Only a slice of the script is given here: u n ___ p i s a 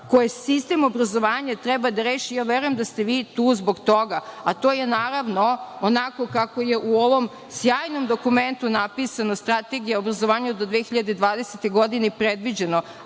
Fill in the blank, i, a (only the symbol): a